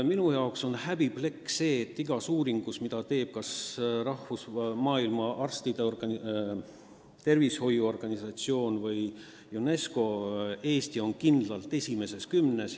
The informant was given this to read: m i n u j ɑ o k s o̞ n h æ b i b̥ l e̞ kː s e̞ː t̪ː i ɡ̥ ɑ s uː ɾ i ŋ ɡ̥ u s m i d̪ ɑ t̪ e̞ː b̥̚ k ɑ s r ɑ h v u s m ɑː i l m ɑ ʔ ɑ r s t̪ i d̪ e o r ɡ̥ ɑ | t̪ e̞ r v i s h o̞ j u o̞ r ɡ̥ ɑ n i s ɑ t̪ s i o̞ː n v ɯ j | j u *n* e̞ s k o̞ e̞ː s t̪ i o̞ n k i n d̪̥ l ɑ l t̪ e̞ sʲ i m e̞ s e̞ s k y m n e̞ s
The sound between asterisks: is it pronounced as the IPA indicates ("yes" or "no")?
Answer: yes